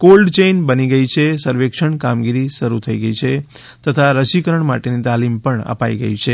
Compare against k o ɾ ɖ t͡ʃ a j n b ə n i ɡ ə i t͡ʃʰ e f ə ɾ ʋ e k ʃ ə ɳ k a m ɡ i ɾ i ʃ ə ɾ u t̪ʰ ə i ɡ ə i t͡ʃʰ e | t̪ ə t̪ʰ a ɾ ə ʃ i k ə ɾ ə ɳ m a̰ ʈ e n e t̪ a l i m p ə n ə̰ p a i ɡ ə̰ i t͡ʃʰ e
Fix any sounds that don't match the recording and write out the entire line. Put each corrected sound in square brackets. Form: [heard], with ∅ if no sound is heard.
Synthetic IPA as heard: k o [l] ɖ t͡ʃ [e] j n b ə n i ɡ ə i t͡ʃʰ e [s] ə ɾ ʋ e k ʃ ə ɳ k a m ɡ i ɾ i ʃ ə ɾ u t̪ʰ ə i ɡ ə i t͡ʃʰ e | t̪ ə t̪ʰ a ɾ ə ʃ i k ə ɾ ə ɳ m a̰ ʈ e n [i] t̪ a l i m p ə [ɳ] ə̰ p a i ɡ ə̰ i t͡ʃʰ e